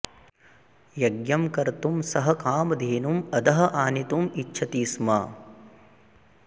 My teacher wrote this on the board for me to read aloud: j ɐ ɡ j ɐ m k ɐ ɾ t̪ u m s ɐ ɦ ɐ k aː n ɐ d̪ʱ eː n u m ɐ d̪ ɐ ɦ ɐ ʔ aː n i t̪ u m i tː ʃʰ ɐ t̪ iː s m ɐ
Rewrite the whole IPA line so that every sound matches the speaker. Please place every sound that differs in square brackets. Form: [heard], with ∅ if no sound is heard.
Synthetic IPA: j ɐ ɡ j ɐ m k ɐ ɾ t̪ u m s ɐ ɦ ɐ k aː [m] ɐ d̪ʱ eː n u m ɐ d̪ ɐ ɦ ɐ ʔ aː n i t̪ u m i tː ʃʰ ɐ t̪ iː s m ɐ

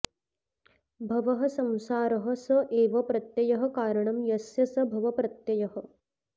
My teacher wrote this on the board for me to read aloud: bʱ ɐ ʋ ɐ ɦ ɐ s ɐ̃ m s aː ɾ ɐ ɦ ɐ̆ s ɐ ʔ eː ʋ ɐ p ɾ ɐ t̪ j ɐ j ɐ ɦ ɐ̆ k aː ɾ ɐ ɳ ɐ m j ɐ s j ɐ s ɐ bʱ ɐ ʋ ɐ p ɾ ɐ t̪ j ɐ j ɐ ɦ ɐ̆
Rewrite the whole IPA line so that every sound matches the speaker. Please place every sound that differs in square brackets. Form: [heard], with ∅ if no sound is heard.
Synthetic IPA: bʱ ɐ ʋ ɐ ɦ ɐ s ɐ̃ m s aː ɾ ɐ ɦ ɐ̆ s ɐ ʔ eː ʋ ɐ p ɾ ɐ t̪ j ɐ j ɐ ɦ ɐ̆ k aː ɾ ɐ ɳ ɐ m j ɐ s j ɐ s ɐ bʱ ɐ ʋ ɐ p ɾ ɐ t̪ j ɐ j ɐ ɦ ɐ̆

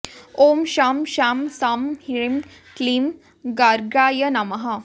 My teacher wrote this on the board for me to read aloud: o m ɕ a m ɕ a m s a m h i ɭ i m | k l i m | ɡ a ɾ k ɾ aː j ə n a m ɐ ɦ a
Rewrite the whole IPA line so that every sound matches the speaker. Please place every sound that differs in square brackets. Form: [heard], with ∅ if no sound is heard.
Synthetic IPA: o m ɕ a m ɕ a m s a m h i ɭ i m | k l i m | ɡ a ɾ [ɡ] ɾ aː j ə n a m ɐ ɦ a

